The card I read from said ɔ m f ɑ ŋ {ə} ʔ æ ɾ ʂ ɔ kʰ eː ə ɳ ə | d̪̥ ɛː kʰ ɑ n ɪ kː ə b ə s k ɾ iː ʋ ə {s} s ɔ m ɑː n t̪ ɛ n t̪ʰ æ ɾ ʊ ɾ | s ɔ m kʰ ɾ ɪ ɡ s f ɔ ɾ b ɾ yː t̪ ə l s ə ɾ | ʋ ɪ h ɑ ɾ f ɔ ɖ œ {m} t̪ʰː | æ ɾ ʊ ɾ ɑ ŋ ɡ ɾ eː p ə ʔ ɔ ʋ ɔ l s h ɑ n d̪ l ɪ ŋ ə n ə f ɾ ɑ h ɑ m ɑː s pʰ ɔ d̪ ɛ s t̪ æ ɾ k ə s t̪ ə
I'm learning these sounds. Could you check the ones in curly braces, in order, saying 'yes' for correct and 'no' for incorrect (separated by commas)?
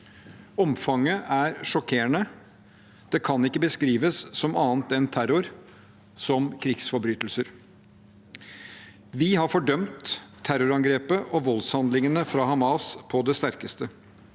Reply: yes, yes, yes